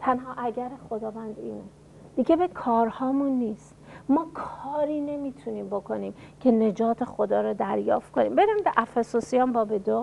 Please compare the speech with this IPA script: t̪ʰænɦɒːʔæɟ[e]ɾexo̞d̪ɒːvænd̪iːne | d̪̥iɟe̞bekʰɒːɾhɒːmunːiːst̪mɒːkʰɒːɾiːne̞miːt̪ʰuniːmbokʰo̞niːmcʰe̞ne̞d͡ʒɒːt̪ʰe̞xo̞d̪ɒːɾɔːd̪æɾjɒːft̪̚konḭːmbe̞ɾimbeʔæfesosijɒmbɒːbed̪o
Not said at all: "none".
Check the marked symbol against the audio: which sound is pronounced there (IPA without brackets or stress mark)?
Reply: æ